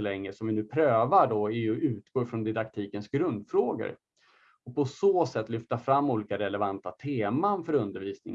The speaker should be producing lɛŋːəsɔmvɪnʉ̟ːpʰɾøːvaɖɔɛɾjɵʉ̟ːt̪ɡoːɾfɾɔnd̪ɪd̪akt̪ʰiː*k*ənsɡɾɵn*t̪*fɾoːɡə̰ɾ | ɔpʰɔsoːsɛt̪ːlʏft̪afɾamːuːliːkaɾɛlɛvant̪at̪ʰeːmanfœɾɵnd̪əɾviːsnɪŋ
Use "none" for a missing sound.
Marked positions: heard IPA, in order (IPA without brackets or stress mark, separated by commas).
k, d̪